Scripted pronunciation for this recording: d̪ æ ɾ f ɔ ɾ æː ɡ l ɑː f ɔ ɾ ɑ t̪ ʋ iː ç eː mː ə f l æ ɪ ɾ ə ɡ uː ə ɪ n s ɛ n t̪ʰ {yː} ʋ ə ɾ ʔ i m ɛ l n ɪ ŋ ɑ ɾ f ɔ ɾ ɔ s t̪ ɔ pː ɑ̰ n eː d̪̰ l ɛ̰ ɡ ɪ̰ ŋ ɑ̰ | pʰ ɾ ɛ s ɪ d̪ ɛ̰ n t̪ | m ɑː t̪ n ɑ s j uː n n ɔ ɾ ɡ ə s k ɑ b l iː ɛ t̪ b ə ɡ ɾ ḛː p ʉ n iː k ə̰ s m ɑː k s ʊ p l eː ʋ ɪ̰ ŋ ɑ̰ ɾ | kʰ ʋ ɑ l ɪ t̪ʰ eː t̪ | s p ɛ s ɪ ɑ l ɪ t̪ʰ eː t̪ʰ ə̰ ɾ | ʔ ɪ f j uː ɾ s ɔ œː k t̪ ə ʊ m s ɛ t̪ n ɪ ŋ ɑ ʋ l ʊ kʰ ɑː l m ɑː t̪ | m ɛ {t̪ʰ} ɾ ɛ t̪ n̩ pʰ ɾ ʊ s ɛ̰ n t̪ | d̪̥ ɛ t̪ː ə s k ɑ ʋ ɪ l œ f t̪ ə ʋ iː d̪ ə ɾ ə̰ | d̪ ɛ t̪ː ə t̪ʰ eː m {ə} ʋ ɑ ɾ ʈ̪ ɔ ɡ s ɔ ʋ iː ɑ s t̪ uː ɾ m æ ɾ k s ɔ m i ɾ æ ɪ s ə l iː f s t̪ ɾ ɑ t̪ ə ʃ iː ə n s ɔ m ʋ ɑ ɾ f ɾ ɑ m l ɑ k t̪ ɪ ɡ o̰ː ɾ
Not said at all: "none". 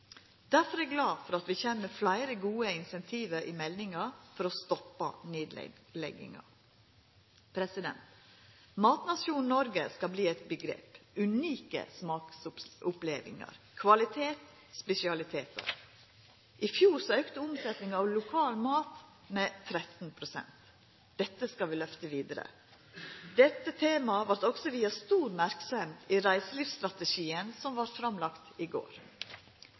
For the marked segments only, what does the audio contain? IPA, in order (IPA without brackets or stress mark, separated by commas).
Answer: iː, t̪ʰ, ɑ